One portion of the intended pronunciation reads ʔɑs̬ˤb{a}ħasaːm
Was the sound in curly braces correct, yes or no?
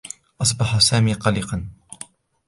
no